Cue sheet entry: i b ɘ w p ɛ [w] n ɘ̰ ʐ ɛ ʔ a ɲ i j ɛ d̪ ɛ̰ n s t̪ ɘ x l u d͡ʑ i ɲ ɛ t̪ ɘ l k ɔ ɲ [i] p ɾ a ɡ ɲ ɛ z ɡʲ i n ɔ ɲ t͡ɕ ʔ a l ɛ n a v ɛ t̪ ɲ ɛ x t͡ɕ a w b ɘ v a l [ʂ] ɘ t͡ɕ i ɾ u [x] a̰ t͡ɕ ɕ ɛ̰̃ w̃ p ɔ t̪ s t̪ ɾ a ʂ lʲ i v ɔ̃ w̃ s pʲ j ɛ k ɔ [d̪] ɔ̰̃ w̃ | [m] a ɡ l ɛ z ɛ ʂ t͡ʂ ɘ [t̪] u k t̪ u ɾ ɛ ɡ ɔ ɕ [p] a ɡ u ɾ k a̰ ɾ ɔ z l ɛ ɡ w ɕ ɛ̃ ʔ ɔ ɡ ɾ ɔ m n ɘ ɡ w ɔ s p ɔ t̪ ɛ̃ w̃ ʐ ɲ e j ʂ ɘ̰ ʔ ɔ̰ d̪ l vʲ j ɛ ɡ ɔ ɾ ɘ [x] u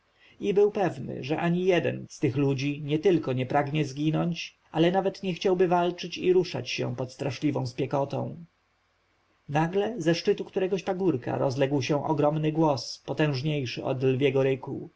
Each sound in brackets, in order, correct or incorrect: incorrect: v, incorrect: ɛ, incorrect: t͡ʂ, incorrect: ʂ, incorrect: t̪, incorrect: n, correct, correct, incorrect: k

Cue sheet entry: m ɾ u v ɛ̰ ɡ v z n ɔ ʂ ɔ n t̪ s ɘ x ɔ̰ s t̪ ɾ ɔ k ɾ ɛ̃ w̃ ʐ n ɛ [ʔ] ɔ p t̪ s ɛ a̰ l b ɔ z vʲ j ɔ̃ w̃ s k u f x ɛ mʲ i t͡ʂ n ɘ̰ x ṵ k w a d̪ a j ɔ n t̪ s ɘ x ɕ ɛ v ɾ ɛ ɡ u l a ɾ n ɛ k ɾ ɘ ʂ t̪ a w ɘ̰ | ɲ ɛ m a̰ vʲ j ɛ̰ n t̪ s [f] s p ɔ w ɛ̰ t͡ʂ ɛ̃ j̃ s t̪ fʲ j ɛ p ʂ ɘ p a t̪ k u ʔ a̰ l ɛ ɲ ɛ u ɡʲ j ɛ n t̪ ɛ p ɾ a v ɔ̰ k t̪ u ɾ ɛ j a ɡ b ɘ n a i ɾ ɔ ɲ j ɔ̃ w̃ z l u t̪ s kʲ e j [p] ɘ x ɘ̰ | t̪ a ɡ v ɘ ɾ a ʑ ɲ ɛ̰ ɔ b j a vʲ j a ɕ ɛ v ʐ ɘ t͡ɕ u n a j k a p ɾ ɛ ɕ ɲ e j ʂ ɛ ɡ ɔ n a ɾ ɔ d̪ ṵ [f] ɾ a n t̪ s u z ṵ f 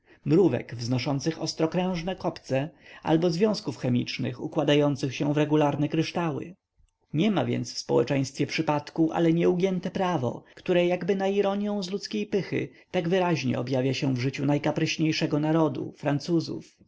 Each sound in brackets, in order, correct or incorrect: incorrect: k, correct, correct, correct

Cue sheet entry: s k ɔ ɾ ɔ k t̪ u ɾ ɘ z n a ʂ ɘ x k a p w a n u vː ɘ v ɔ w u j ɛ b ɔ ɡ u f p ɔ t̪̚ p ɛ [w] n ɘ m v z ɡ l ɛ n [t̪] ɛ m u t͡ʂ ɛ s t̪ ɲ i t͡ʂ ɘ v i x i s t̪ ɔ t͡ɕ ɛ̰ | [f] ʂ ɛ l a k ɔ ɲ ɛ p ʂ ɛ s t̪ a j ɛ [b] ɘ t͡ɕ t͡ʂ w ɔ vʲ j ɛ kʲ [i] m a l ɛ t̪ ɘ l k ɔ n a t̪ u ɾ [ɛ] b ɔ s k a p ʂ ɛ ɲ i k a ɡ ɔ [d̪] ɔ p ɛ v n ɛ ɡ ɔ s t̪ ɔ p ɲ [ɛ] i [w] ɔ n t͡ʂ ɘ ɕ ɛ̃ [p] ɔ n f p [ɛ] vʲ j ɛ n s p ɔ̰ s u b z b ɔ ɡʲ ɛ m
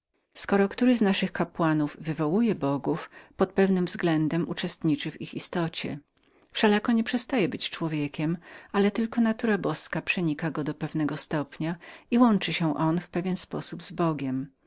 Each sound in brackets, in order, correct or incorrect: incorrect: v, incorrect: d̪, correct, correct, incorrect: ɛ, incorrect: a, correct, incorrect: a, correct, incorrect: ʔ, correct

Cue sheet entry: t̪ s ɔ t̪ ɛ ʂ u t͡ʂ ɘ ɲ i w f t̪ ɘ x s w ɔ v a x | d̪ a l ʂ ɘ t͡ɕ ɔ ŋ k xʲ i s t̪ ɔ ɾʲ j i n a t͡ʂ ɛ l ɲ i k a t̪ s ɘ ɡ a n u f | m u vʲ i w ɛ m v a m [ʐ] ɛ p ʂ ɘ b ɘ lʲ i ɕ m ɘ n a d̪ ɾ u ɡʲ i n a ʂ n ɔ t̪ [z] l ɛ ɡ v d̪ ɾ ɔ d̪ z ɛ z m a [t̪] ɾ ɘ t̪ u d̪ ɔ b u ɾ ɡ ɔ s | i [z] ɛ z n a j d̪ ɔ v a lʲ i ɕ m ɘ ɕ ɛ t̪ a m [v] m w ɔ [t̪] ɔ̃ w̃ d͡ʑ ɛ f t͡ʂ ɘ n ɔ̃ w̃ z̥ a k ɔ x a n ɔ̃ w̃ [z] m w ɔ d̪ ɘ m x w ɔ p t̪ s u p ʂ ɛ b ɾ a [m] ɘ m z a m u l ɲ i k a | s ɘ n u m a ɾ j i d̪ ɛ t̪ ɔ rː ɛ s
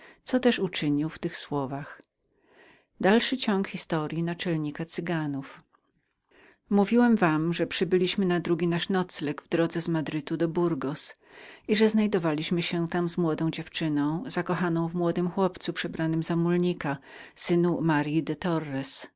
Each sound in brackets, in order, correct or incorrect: correct, incorrect: s, incorrect: d̪, incorrect: ʐ, incorrect: z, incorrect: d̪, incorrect: v, incorrect: n

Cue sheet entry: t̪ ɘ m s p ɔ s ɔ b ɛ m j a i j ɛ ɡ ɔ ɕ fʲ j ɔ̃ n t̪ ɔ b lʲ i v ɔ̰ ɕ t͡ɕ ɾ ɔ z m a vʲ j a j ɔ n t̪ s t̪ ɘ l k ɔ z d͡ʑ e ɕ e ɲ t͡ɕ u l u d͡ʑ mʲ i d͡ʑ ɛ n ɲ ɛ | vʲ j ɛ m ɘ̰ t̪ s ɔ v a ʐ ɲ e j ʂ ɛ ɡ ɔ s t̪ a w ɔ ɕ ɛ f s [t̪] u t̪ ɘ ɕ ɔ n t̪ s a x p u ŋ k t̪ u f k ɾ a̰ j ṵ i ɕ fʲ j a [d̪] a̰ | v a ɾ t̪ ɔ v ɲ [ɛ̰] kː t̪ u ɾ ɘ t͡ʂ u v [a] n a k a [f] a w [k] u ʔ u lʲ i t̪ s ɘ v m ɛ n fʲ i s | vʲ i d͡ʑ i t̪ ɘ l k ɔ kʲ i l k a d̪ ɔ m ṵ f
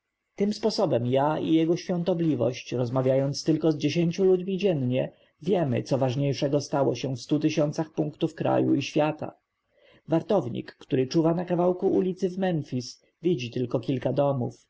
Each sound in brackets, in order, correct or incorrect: correct, incorrect: t̪, incorrect: ḭ, correct, incorrect: v, correct

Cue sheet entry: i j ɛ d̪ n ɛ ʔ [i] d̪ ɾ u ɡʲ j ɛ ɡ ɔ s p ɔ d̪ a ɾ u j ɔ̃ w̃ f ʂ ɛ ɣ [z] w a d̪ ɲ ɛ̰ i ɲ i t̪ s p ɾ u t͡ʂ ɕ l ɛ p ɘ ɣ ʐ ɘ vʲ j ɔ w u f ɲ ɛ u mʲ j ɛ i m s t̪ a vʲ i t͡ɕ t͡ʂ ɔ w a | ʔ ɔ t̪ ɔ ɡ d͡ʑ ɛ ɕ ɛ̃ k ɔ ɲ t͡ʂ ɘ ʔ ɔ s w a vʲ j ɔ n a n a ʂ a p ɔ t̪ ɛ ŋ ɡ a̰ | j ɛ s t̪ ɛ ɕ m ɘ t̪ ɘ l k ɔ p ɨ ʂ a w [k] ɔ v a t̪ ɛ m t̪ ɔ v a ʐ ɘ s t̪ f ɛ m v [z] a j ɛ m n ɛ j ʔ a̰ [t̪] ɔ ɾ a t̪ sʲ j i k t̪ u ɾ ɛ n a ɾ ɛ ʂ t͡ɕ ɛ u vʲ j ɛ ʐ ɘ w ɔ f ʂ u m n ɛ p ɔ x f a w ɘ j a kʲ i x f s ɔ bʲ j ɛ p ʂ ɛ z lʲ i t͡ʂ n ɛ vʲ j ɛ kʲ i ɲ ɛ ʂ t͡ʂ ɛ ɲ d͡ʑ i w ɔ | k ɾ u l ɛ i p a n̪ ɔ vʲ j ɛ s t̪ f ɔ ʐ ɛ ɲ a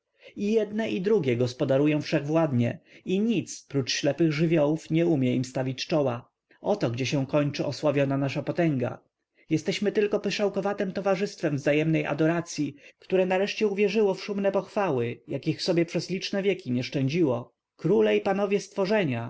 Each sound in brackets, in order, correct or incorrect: correct, incorrect: v, correct, correct, incorrect: d̪

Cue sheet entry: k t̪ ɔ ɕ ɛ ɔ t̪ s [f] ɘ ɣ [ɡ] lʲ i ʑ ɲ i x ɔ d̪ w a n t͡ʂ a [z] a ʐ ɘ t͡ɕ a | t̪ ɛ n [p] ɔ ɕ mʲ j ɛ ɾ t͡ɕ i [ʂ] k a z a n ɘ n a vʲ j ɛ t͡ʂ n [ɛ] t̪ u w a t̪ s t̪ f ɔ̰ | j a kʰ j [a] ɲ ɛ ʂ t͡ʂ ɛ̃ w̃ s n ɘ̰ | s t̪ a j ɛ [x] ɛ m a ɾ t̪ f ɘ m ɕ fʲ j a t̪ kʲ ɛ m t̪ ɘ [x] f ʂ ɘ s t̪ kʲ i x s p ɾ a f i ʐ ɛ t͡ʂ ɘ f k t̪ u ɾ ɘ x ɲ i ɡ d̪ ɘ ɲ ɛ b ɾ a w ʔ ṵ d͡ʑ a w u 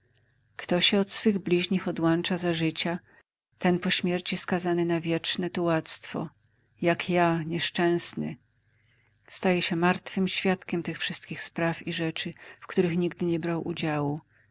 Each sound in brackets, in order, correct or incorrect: correct, incorrect: b, correct, correct, incorrect: s, correct, correct, incorrect: ɕ, correct

